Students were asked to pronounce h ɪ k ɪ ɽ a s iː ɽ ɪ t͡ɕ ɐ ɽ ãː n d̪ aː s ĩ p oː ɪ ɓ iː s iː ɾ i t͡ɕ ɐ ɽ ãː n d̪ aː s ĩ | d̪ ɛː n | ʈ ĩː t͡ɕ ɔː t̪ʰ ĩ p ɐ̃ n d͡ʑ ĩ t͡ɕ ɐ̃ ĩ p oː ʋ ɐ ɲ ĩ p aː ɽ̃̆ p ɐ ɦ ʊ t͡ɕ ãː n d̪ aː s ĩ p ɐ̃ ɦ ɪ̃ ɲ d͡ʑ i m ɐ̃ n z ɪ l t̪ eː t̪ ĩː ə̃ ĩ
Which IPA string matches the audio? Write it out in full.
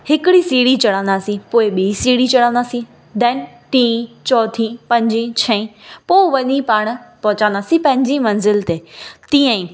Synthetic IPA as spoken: h ɪ k ɪ ɽ i s iː ɽ i t͡ɕ ɐ ɽ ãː n d̪ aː s ĩ p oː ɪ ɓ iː s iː ɽ i t͡ɕ ɐ ɽ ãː n d̪ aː s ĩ | d̪ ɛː n | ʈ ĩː t͡ɕ ɔː t̪ʰ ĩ p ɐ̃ ɲ d͡ʑ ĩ t͡ɕʰ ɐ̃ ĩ p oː ʋ ɐ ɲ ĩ p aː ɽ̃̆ p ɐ ɦ ʊ t͡ɕ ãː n d̪ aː s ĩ p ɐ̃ ɦ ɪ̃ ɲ d͡ʑ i m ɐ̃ n z ɪ l t̪ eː t̪ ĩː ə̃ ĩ